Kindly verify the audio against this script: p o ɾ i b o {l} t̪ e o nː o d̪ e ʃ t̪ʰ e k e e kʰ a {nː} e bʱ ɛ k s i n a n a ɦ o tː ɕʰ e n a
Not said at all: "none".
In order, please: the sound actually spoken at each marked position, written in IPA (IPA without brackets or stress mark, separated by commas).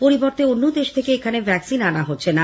ɾ, n